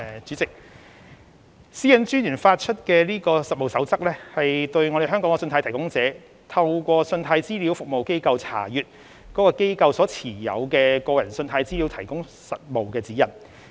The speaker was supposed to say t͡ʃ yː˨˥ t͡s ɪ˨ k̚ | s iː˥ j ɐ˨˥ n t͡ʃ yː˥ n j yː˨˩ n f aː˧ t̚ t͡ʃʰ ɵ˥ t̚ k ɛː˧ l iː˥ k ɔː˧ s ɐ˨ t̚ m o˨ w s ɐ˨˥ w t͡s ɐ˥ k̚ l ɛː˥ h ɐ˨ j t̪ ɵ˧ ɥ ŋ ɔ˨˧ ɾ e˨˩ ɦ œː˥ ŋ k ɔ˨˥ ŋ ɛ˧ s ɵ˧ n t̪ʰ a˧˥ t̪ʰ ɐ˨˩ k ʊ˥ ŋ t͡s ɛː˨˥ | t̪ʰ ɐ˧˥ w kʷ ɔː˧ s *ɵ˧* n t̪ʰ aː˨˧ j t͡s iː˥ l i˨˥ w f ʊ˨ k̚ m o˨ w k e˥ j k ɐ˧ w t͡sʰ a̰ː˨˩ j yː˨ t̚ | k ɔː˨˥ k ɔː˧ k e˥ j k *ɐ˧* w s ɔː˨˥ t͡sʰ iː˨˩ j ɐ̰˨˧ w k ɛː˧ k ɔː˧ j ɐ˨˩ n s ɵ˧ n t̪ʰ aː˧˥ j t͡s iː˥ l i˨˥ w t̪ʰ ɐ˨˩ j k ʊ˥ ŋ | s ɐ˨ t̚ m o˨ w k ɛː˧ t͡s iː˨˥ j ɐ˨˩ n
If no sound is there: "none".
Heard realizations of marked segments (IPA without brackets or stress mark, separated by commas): ɵ˧, ɐ˧